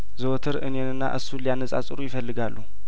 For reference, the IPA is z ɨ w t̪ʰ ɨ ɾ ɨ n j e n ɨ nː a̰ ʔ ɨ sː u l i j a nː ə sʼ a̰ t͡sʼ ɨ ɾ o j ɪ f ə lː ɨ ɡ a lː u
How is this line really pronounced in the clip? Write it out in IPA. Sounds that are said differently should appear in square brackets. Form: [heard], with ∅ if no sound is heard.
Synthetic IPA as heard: z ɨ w t̪ʰ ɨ ɾ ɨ n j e n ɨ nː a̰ ʔ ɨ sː u l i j a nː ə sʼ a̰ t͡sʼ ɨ ɾ [u] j ɪ f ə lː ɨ ɡ a lː u